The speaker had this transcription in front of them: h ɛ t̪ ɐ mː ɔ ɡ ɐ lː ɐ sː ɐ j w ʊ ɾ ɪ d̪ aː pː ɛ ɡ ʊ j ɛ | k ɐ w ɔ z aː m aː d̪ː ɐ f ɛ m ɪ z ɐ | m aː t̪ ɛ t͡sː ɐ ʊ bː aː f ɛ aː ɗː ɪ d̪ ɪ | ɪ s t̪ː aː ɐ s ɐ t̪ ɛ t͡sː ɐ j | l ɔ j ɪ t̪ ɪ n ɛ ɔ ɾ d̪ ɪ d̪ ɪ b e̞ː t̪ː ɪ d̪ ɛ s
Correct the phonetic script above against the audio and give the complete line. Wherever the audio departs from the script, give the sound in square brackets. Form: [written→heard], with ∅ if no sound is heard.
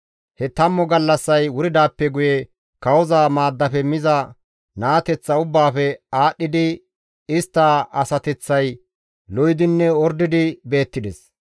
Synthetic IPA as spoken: h ɛ t̪ ɐ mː ɔ ɡ ɐ lː ɐ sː ɐ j w ʊ ɾ ɪ d̪ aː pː ɛ ɡ ʊ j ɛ | k ɐ w ɔ z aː m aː d̪ː ɐ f ɛ m ɪ z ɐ | [m→n] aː t̪ ɛ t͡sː ɐ ʊ bː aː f ɛ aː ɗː ɪ d̪ ɪ | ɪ s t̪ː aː ɐ s ɐ t̪ ɛ t͡sː ɐ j | l ɔ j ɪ [t̪→d̪] ɪ [n→nː] ɛ ɔ ɾ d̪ ɪ d̪ ɪ b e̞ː t̪ː ɪ d̪ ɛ s